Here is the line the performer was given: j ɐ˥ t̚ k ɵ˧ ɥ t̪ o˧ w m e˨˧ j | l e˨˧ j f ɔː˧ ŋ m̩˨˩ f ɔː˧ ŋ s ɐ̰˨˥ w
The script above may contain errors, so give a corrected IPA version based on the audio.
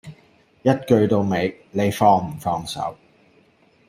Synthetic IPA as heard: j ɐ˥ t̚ k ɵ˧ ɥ t̪ o˧ w m e˨˧ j | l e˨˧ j f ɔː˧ ŋ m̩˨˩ f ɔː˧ ŋ s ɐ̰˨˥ w